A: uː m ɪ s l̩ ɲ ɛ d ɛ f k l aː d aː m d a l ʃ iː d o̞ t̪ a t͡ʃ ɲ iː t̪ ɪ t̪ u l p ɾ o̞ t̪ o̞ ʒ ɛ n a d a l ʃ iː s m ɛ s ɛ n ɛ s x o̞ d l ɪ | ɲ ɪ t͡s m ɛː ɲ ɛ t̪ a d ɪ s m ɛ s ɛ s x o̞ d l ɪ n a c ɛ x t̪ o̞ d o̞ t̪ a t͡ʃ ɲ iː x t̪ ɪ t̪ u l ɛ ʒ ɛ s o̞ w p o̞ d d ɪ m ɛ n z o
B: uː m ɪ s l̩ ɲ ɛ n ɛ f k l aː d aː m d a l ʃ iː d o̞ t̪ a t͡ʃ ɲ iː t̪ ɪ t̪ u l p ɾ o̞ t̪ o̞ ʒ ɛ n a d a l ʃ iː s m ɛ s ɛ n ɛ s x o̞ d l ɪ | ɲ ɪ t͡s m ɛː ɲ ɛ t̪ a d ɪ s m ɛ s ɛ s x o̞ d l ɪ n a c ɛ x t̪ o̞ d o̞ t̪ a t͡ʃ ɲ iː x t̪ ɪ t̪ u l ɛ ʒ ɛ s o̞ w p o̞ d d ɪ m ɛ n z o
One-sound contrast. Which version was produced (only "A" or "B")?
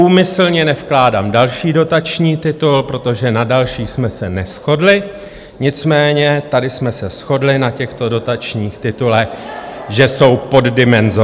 B